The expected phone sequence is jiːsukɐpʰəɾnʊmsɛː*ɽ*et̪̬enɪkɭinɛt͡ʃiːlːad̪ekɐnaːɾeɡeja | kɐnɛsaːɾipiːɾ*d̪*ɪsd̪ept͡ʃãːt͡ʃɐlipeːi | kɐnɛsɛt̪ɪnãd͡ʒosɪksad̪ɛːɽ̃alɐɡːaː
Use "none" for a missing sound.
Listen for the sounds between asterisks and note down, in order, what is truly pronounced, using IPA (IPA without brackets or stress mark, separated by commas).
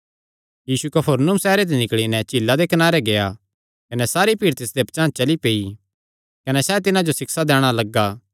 ɾ, t̪